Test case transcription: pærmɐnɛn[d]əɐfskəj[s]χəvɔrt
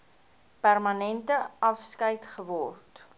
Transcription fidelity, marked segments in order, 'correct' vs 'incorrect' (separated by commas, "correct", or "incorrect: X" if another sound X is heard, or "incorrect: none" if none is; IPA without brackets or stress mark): incorrect: t, incorrect: t